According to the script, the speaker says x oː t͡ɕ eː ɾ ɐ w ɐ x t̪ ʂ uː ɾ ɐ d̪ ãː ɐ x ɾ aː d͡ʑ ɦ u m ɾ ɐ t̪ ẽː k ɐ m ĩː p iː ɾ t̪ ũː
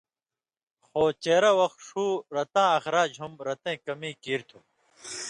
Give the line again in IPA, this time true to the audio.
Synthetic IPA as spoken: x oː t͡ɕ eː ɾ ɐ w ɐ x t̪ ʂ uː ɾ ɐ t̪ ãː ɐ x ɾ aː d͡ʑ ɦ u m ɾ ɐ t̪ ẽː k ɐ m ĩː k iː ɾ t̪ʰ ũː